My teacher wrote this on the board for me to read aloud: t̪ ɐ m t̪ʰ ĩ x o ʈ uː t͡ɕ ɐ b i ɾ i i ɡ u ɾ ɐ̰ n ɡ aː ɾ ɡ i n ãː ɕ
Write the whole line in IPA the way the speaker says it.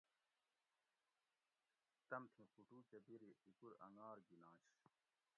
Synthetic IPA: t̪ ɐ m t̪ʰ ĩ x u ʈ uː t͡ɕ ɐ b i ɾ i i k u ɾ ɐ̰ ŋ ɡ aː ɾ ɡ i n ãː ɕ

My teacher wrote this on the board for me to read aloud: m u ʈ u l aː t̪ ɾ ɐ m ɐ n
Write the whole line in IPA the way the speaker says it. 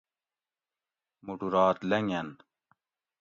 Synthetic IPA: m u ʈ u ɾ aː t̪ l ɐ ŋ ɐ n

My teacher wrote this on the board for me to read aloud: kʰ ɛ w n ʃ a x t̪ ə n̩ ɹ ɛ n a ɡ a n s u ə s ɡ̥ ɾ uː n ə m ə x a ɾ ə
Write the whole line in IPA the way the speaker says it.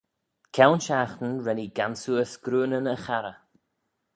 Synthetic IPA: kʰ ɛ w n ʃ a x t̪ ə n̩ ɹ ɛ n i ɡ a n s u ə s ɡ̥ ɾ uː n ə n ə x a ɾ ə

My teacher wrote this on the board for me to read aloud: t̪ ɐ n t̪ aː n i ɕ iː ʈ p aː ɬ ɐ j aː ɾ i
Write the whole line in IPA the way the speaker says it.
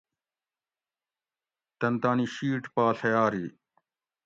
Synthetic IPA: t̪ ɐ n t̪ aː n i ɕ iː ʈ p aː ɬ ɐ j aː ɾ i

